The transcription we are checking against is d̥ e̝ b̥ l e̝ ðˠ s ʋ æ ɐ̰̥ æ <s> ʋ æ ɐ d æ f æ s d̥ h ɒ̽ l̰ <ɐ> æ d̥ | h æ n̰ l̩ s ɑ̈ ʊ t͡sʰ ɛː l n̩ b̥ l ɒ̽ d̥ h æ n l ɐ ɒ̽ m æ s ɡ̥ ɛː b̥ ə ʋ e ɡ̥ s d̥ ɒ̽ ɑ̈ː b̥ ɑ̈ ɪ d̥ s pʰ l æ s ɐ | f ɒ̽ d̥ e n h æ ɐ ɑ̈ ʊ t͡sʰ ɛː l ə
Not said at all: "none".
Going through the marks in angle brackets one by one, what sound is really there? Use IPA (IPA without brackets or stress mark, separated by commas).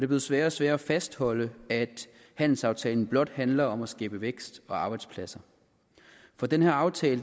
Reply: s, ə